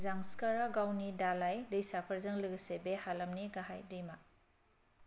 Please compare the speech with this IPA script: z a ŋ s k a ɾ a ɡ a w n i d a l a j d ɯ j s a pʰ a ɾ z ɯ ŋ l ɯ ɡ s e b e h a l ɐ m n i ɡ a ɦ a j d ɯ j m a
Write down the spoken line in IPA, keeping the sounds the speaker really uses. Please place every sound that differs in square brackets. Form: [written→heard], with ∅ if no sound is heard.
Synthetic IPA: z a ŋ s k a ɾ a ɡ a w n i d a l a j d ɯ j s a pʰ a ɾ z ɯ ŋ l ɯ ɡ s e b e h a l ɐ m n i ɡ a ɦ a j d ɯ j m a